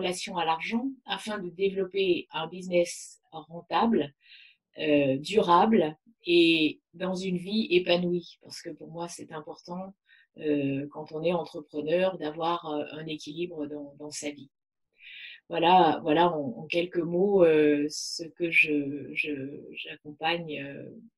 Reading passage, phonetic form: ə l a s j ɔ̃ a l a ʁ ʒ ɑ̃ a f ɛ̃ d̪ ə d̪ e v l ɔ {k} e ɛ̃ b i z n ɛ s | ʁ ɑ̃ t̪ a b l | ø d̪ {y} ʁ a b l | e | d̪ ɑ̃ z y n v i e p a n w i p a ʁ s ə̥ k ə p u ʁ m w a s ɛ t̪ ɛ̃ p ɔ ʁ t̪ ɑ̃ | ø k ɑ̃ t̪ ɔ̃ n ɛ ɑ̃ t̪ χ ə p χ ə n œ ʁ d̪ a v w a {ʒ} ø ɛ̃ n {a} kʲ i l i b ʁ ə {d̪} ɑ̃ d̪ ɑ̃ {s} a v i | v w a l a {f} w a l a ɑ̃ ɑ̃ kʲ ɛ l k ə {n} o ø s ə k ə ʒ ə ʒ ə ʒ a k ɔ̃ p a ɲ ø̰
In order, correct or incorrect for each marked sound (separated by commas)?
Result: incorrect, correct, incorrect, incorrect, correct, correct, incorrect, incorrect